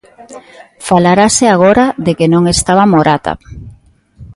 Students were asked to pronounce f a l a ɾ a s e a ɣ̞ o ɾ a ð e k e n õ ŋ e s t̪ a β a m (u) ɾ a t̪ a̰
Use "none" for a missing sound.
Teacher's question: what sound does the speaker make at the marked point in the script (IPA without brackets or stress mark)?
o